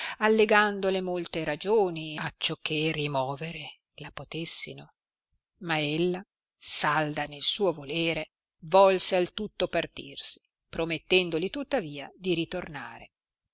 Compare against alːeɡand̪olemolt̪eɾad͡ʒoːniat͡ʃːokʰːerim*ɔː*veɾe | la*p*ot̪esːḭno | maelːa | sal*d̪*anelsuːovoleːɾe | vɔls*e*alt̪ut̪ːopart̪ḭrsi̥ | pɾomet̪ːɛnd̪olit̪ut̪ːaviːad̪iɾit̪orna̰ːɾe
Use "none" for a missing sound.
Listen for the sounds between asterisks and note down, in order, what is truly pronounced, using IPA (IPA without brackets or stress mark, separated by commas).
ɔː, p, d̪, e